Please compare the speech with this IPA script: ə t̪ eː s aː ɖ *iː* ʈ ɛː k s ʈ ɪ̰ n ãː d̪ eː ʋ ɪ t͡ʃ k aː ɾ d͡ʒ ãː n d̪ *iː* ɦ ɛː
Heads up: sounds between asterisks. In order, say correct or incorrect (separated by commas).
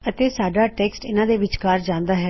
incorrect, incorrect